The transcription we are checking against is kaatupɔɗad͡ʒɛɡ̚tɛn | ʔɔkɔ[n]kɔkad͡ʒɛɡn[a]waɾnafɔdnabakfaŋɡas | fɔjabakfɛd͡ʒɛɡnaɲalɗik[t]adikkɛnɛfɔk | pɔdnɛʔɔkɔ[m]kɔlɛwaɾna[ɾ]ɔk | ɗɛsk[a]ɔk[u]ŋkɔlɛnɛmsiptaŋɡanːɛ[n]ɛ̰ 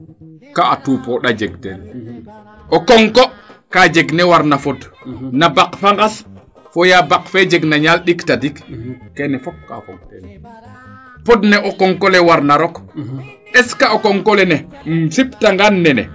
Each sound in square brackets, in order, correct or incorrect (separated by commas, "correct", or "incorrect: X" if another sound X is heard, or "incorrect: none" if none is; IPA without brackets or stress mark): incorrect: ŋ, incorrect: ɛ, correct, incorrect: ŋ, correct, correct, incorrect: ɔ, correct